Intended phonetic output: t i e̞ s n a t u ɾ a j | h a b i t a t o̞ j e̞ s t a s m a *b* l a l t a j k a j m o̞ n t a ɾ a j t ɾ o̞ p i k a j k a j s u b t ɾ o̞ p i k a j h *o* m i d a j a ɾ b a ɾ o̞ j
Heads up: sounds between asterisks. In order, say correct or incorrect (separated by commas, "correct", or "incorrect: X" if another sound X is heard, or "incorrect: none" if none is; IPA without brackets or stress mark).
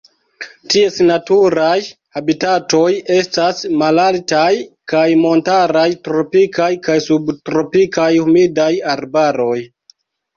incorrect: none, incorrect: u